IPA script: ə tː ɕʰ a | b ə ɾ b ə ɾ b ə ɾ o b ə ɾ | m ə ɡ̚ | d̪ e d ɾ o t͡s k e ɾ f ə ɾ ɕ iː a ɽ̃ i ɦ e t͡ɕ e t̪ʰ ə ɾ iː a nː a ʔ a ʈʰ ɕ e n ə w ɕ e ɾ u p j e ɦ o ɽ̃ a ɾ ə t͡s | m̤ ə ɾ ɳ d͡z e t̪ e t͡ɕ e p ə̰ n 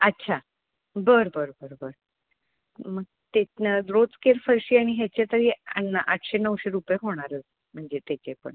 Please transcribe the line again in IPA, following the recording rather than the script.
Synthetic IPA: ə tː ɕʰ a | b ə ɾ b ə ɾ b ə ɾ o b ə ɾ | m ə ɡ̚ | t̪ e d ɾ o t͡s k e ɾ f ə ɾ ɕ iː a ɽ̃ i ɦ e t͡ɕ e t̪ ə ɾ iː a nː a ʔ a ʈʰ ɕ e n ə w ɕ e ɾ u p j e ɦ o ɽ̃ a ɾ ə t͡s | m̤ ə ɳ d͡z e t̪ e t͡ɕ e p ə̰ ɳ